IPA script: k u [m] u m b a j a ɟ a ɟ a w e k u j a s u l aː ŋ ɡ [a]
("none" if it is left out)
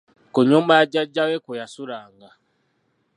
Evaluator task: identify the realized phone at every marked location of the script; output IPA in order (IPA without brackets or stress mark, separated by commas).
ɲ, a